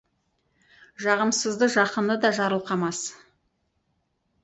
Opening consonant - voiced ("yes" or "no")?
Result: yes